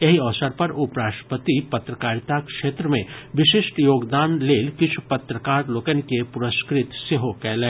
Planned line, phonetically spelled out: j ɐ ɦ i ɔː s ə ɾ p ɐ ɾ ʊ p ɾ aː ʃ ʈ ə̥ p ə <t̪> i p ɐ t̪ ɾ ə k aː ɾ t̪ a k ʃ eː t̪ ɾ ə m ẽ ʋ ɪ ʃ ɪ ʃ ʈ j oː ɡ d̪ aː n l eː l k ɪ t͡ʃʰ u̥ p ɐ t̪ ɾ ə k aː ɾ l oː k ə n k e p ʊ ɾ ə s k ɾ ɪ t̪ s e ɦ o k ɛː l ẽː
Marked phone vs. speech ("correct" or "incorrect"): correct